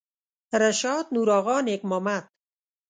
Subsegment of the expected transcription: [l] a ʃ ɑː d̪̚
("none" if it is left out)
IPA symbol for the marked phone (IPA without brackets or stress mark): ɾ